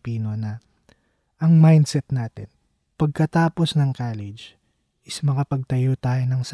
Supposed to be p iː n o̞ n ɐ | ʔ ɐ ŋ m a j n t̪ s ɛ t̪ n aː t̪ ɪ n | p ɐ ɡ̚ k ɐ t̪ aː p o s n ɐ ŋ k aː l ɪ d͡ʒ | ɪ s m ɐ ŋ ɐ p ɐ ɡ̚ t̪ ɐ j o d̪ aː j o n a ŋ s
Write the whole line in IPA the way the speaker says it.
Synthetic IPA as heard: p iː n o̞ n ɐ | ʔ ɐ ŋ m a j n d̪ s ɛ t̪ n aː t̪ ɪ n | p ɐ ɡ̚ k ɐ t̪ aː p o s n ɐ ŋ k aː l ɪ d͡ʒ | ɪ s m ɐ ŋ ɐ p ɐ ɡ̚ t̪ ɐ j o t̪ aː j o n ɐ ŋ s